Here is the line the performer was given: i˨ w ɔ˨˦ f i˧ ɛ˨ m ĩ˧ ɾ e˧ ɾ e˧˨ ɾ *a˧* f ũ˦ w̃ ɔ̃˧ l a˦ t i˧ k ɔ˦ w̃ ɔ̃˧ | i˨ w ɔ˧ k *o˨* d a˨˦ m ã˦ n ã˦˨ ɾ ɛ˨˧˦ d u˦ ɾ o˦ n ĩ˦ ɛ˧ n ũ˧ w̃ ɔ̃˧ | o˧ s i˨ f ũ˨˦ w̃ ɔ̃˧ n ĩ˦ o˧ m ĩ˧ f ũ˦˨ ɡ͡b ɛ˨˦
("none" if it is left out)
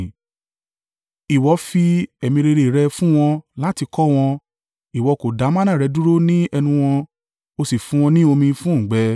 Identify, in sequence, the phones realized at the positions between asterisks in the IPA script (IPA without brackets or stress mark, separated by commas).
ɛ˧, o˨